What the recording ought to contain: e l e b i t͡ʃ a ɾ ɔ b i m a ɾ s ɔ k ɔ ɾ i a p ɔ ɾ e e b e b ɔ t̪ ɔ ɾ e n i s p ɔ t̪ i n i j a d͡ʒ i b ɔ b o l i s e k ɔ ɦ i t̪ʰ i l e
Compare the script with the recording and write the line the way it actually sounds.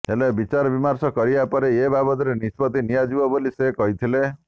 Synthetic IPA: e l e b i t͡ʃ a ɾ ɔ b i m a ɾ s ɔ k ɔ ɾ i a p ɔ ɾ e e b a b ɔ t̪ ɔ ɾ e n i s p ɔ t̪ i n i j a d͡ʒ i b ɔ b o l i s e k ɔ ɦ i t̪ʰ i l e